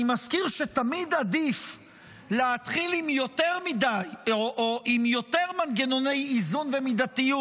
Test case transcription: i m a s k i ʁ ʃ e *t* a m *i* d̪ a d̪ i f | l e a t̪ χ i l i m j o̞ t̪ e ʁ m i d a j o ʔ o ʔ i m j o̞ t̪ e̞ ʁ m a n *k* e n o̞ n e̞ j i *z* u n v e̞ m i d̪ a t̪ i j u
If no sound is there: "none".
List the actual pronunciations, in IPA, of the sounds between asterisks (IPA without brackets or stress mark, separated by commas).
t, i, ɡ, z